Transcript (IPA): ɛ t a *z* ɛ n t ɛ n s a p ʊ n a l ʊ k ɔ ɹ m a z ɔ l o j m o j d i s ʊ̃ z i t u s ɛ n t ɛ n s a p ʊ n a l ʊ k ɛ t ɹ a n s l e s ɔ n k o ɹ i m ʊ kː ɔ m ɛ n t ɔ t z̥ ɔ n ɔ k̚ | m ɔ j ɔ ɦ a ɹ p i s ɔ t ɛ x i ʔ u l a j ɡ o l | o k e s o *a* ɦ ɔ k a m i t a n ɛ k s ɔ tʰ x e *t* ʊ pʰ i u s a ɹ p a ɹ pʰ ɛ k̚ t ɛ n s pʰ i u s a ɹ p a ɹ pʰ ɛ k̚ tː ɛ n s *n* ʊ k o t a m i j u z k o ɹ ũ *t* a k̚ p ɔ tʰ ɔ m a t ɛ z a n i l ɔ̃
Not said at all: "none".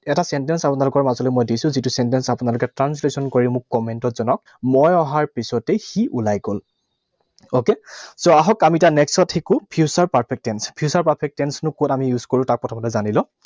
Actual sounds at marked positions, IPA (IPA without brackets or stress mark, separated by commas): s, a, k, n, t